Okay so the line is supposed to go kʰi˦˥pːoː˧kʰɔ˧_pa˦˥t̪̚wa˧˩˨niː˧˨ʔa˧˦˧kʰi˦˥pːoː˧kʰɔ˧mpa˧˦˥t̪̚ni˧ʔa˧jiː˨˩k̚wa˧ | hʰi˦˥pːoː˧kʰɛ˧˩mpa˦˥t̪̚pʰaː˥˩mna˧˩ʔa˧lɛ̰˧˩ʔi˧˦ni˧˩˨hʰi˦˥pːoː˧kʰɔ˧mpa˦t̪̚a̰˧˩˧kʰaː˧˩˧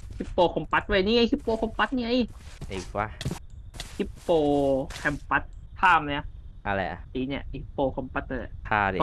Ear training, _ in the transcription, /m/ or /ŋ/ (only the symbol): m